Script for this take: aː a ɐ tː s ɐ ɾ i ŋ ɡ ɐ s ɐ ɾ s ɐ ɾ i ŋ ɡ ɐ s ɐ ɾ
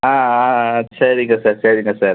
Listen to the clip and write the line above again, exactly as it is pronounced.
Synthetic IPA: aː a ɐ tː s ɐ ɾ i ŋ ɡ ɐ s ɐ ɾ s ɐ ɾ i ŋ ɡ ɐ s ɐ ɾ

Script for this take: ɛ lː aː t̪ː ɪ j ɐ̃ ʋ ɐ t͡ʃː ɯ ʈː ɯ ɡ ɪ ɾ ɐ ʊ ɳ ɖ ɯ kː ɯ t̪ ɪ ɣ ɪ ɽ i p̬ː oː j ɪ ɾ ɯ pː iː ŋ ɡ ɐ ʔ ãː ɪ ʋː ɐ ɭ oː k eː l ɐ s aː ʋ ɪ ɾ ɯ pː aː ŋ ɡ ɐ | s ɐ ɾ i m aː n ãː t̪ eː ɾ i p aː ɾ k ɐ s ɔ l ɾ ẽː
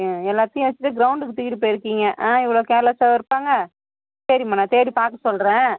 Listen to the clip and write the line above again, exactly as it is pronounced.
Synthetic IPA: ɛ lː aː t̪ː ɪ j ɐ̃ ʋ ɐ t͡ʃː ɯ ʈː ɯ ɡ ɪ ɾ ɐ ʊ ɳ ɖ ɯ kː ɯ t̪ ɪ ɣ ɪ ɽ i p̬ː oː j ɪ ɾ ɯ kː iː ŋ ɡ ɐ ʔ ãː ɪ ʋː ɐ ɭ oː k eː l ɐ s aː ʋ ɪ ɾ ɯ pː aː ŋ ɡ ɐ | s ɐ ɾ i m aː n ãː t̪ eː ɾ i p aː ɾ k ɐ s ɔ l ɾ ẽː

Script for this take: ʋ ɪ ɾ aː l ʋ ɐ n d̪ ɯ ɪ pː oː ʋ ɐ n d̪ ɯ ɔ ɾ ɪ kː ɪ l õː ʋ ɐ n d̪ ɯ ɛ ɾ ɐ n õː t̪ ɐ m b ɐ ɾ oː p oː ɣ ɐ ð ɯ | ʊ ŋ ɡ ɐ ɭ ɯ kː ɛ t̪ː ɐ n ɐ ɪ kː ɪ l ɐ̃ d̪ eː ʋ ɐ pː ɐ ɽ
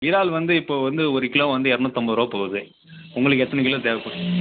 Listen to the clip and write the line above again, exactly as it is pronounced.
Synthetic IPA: ʋ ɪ ɾ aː l ʋ ɐ n d̪ ɯ ɪ pː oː ʋ ɐ n d̪ ɯ ɔ ɾ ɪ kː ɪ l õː ʋ ɐ n d̪ ɯ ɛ ɾ ɐ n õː t̪ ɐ m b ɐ ɾ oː p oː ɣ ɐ ð ɯ | ʊ ŋ ɡ ɐ ɭ ɯ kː ɛ t̪ː ɐ n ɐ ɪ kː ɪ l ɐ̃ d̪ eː ʋ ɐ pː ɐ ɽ

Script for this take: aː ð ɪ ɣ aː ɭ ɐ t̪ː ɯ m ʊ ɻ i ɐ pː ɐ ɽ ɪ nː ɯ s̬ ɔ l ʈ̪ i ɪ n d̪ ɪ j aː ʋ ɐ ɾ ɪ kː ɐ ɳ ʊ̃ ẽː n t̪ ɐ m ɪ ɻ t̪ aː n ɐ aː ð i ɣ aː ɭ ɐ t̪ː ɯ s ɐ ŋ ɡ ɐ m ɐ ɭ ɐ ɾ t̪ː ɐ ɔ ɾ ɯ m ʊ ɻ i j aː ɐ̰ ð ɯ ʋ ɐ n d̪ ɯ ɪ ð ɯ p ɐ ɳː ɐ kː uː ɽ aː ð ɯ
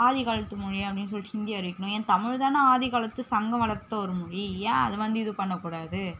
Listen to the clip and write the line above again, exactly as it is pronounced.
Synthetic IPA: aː ð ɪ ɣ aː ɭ ɐ t̪ː ɯ m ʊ ɻ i ɐ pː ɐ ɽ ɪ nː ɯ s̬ ɔ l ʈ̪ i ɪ n d̪ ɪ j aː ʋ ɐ ɾ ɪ kː ɐ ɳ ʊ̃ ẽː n t̪ ɐ m ɪ ɻ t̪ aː n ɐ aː ð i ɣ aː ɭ ɐ t̪ː ɯ s ɐ ŋ ɡ ɐ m ɐ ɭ ɐ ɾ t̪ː ɐ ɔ ɾ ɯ m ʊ ɻ i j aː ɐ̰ ð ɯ ʋ ɐ n d̪ ɯ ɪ ð ɯ p ɐ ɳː ɐ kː uː ɽ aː ð ɯ

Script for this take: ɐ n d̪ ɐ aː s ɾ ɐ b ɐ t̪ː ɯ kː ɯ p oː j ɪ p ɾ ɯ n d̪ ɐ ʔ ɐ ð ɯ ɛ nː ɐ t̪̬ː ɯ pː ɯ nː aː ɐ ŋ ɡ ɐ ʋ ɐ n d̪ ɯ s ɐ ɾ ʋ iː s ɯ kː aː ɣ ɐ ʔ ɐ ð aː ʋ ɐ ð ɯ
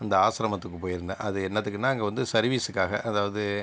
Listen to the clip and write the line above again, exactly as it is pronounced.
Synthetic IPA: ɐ n d̪ ɐ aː s ɾ ɐ m ɐ t̪ː ɯ kː ɯ p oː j ɪ ɾ ɯ n d̪ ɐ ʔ ɐ ð ɯ ɛ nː ɐ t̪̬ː ɯ kː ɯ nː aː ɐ ŋ ɡ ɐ ʋ ɐ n d̪ ɯ s ɐ ɾ ʋ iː s ɯ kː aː ɣ ɐ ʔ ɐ ð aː ʋ ɐ ð ɯ

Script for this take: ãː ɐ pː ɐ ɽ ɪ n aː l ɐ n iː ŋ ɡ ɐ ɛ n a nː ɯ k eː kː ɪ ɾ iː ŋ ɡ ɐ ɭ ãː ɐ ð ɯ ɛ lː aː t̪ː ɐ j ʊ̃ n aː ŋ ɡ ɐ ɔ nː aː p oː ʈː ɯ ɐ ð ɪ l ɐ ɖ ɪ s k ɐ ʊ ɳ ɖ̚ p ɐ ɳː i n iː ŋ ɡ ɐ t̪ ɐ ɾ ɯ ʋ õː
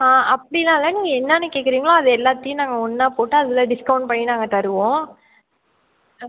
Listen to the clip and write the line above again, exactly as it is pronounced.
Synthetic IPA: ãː ɐ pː ɐ ɽ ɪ n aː l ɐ n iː ŋ ɡ ɐ ɛ nː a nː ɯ k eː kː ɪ ɾ iː ŋ ɡ ɐ ɭ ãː ɐ ð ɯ ɛ lː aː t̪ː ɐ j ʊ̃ n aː ŋ ɡ ɐ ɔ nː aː p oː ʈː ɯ ɐ ð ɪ l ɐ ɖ ɪ s k ɐ ʊ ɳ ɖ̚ p ɐ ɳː i n aː ŋ ɡ ɐ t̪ ɐ ɾ ɯ ʋ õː

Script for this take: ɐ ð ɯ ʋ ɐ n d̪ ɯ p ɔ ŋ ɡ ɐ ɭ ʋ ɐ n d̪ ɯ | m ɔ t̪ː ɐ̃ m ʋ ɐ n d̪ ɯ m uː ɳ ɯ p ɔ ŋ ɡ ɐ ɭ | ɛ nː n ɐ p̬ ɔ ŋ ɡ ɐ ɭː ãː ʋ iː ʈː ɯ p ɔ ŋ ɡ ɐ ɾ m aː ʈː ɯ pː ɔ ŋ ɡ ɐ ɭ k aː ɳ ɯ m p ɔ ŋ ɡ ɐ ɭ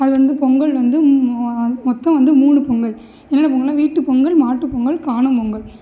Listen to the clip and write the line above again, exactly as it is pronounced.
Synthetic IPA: ɐ ð ɯ ʋ ɐ n d̪ ɯ p ɔ ŋ ɡ ɐ ɭ ʋ ɐ n d̪ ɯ | m ɔ t̪ː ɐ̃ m ʋ ɐ n d̪ ɯ m uː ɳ ɯ p ɔ ŋ ɡ ɐ ɭ | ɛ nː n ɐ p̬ ɔ ŋ ɡ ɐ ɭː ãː ʋ iː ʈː ɯ p ɔ ŋ ɡ ɐ ɭ m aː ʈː ɯ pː ɔ ŋ ɡ ɐ ɭ k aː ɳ ɯ m p ɔ ŋ ɡ ɐ ɭ

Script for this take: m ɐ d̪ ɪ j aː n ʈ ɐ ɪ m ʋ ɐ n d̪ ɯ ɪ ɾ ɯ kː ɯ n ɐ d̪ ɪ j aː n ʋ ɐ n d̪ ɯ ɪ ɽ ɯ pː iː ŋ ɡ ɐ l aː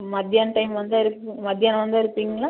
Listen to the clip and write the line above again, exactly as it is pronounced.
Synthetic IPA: m ɐ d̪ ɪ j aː n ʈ ɐ ɪ m ʋ ɐ n d̪ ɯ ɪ ɾ ɯ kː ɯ m ɐ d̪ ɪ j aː n ʋ ɐ n d̪ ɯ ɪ ɾ ɯ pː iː ŋ ɡ ɐ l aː

